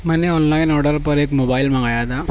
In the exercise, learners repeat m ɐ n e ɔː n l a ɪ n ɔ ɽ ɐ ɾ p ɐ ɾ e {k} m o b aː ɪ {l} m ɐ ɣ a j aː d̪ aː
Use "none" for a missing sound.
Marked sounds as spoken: k, l

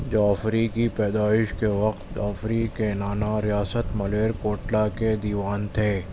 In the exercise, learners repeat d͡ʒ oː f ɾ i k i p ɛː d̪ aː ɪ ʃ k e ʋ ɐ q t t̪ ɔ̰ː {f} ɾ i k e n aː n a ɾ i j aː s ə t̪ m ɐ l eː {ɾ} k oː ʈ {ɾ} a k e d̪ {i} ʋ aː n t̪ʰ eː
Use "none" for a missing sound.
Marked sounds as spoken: f, ɾ, l, iː

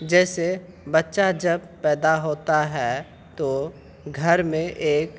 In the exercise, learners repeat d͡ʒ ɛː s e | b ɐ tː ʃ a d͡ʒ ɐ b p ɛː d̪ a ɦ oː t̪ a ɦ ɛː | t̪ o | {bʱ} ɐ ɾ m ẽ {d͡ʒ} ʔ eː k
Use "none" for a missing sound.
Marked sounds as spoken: ɡʱ, none

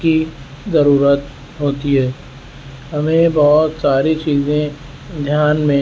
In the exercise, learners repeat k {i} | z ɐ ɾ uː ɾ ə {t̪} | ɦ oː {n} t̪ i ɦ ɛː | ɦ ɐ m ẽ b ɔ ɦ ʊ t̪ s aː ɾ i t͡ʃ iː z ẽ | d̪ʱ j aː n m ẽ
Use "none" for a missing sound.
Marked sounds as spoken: i, t̪, none

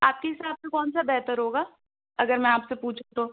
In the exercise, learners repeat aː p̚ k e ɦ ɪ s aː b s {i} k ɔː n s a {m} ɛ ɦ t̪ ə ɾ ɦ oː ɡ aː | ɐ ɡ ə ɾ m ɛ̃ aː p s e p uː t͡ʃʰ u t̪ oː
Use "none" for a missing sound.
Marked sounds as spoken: e, b

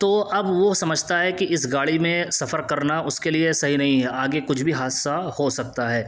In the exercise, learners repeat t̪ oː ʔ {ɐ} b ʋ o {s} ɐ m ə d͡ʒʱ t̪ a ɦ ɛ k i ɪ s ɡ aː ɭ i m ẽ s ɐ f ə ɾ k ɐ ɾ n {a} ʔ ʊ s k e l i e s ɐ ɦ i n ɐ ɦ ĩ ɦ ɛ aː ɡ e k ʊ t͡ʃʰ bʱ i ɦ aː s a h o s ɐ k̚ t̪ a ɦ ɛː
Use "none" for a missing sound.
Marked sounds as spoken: ɐ, s, a

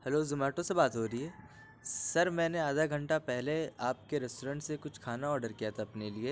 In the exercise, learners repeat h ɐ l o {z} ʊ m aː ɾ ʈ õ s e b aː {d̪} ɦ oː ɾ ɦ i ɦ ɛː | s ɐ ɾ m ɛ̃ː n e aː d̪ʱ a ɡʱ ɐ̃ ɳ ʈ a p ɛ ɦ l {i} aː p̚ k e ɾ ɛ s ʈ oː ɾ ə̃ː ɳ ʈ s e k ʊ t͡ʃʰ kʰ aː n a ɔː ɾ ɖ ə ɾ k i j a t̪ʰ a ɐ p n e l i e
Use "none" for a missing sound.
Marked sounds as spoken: z, t̪, e

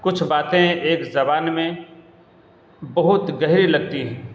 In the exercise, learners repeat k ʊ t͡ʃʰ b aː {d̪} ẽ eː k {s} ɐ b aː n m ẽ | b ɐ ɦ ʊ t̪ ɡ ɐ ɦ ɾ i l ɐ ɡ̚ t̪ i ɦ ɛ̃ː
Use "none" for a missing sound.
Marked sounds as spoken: t̪, z

